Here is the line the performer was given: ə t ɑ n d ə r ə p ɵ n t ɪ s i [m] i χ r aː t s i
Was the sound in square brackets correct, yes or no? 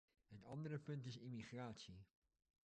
yes